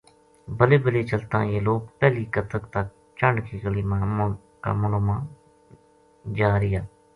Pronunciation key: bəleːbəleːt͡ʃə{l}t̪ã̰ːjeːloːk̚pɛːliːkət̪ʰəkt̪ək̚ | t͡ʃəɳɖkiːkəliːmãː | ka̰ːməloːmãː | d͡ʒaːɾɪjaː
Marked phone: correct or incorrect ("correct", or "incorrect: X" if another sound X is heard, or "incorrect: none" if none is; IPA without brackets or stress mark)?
correct